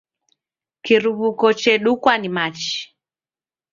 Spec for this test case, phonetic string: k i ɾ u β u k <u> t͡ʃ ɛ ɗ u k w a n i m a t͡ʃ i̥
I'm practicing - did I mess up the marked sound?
yes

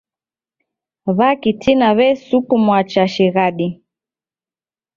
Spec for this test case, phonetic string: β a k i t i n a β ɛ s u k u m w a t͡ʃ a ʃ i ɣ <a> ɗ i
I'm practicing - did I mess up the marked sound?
no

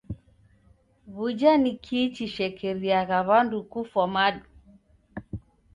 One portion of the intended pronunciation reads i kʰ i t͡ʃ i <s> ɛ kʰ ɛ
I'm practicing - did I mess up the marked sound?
yes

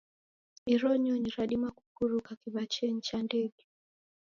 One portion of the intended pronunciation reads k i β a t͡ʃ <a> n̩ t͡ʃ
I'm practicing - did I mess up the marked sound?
yes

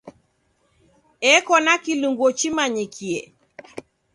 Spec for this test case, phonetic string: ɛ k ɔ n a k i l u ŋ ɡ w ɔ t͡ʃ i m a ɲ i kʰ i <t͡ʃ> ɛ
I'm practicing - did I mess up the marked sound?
yes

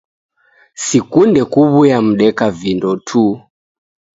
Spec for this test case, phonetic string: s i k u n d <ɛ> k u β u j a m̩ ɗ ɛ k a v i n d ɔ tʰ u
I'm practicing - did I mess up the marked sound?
no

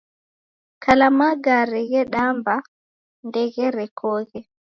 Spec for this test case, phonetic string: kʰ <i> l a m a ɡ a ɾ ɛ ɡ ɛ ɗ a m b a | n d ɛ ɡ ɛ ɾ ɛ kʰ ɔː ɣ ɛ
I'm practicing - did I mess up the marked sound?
yes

